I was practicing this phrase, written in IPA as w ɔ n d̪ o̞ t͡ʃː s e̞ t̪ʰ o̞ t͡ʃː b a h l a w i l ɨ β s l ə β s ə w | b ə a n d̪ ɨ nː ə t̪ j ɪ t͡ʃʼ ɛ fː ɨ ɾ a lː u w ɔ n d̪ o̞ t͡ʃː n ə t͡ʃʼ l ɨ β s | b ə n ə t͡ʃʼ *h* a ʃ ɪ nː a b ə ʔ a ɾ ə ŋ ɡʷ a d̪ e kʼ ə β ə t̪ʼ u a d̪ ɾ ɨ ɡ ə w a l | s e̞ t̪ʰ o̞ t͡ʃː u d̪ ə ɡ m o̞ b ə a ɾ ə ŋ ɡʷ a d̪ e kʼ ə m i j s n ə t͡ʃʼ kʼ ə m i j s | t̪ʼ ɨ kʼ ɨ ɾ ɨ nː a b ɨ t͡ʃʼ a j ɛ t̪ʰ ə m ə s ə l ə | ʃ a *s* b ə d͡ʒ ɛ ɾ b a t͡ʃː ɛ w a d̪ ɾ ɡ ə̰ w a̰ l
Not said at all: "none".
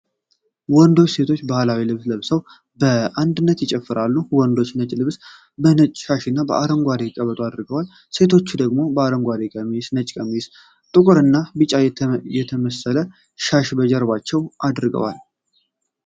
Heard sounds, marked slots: ʃ, ʃ

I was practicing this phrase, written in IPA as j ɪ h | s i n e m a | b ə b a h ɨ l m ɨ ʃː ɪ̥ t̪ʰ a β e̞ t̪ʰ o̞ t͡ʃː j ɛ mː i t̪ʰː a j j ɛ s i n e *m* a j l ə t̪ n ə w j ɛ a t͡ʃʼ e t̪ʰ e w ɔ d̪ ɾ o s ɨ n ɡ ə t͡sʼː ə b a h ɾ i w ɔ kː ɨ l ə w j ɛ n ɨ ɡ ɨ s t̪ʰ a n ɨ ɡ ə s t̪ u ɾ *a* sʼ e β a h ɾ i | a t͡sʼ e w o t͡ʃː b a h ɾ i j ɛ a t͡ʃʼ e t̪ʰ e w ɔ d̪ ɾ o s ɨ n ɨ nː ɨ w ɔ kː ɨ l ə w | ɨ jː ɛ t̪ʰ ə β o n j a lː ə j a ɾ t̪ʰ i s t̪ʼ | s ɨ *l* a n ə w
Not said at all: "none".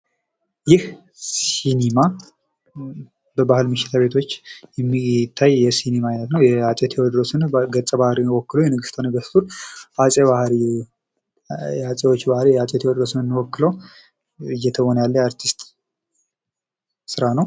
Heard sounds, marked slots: m, a, ɾ

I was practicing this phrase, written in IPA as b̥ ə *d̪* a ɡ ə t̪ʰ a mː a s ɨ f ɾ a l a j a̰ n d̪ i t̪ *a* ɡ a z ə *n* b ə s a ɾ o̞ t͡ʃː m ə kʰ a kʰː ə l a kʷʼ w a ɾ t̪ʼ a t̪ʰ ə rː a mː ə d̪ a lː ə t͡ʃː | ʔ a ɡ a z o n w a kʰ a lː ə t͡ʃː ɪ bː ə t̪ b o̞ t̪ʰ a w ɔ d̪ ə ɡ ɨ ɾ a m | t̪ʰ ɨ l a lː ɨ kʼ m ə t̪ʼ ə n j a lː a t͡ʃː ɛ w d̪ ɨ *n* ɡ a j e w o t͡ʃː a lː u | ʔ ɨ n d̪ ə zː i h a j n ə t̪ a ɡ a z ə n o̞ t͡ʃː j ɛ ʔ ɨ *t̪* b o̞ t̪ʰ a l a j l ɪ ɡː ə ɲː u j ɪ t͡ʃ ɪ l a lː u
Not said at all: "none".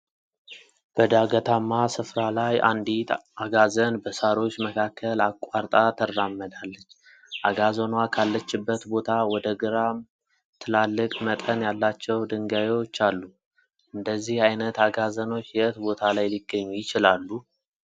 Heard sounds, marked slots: d̪, a, n, ŋ, t̪

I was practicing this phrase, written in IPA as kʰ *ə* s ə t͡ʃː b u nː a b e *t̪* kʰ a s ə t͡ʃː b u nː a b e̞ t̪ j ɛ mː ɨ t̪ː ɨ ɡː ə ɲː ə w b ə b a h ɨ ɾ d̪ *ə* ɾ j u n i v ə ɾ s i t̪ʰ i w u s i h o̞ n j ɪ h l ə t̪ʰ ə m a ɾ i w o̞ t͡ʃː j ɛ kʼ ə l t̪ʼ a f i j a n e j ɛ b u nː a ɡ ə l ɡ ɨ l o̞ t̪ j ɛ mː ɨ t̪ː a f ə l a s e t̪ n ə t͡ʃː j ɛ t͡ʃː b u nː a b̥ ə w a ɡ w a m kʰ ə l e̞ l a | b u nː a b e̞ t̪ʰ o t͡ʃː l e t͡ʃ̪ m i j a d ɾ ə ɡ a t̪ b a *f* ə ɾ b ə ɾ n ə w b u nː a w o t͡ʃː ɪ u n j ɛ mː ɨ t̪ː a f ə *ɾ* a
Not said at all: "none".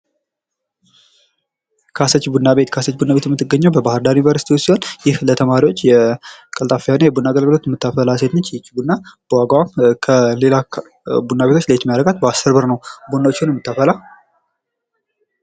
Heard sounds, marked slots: a, t̪, a, s, l

